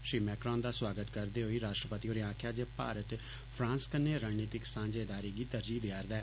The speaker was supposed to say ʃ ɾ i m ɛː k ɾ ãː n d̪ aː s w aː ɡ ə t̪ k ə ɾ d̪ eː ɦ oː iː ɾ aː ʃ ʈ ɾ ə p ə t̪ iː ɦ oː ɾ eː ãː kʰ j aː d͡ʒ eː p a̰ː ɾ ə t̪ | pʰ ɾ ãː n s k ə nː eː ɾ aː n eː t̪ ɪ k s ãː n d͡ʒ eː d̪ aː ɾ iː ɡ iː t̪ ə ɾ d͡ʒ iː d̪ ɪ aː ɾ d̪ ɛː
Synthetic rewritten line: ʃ ɾ iː m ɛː k ɾ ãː n d̪ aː s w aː ɡ ə t̪ k ə ɾ d̪ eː ɦ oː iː ɾ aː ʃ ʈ ɾ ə p ə t̪ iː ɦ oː ɾ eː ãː kʰ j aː d͡ʒ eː p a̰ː ɾ ə t̪ | pʰ ɾ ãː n s k ə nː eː ɾ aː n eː t̪ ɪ k s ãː n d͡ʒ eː d̪ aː ɾ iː ɡ iː t̪ ə ɾ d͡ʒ iː d̪ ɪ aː ɾ d̪ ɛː